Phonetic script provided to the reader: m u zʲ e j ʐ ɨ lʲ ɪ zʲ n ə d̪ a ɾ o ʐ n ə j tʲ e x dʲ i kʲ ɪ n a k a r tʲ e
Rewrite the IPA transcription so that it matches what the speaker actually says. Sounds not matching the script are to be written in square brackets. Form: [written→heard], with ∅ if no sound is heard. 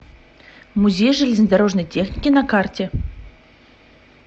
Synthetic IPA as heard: m u zʲ e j ʐ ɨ lʲ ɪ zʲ n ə d̪ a ɾ o ʐ n ə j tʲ e x [dʲ→nʲ] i kʲ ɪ n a k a r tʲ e